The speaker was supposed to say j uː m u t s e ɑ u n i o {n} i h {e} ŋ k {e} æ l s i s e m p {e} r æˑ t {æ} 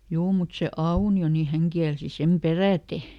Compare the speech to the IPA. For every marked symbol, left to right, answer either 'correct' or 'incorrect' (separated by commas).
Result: correct, incorrect, incorrect, correct, incorrect